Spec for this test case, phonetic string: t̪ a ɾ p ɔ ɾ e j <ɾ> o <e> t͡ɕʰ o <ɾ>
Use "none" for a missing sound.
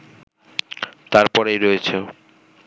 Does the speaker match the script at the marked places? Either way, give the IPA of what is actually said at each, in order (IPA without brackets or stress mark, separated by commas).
ɾ, e, none